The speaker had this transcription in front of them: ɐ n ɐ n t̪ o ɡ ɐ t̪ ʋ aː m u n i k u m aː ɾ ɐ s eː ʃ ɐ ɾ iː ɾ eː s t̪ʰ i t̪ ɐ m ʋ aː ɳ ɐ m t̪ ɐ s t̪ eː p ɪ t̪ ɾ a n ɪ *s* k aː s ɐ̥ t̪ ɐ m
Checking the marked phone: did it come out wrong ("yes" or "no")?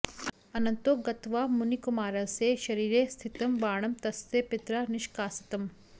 yes